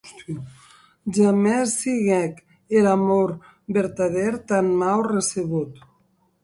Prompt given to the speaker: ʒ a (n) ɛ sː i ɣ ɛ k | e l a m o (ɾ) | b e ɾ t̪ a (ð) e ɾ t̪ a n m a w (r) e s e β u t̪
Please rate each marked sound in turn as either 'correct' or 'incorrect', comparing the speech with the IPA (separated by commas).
incorrect, correct, correct, correct